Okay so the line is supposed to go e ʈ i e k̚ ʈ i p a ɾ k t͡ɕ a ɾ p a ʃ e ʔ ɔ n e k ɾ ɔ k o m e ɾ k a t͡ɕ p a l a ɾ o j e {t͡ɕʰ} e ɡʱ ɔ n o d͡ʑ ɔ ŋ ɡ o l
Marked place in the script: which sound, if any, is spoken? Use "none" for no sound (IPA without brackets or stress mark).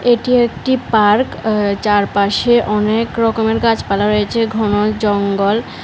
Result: t͡ɕʰ